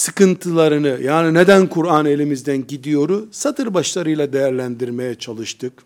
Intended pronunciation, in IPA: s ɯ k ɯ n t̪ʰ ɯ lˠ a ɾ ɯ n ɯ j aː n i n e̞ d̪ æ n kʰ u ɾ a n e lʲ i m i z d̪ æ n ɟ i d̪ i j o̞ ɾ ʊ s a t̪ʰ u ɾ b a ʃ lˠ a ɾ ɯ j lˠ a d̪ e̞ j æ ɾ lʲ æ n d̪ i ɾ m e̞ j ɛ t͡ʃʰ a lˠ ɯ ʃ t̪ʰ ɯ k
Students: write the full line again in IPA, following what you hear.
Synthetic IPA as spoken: s ɯ k ɯ n t̪ʰ ɯ lˠ a ɾ ɯ n ɯ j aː n i n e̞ d̪ æ n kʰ u ɾ a n e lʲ i m i z d̪ æ n ɟ i d̪ i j o̞ ɾ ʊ s a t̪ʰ ɯ ɾ b a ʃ lˠ a ɾ ɯ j lˠ a d̪ e̞ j æ ɾ lʲ æ n d̪ i ɾ m e̞ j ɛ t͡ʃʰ a lˠ ɯ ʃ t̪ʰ ɯ k